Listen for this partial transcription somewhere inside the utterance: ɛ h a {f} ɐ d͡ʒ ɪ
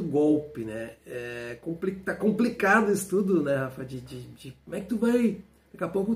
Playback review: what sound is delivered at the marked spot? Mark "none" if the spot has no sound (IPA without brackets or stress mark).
f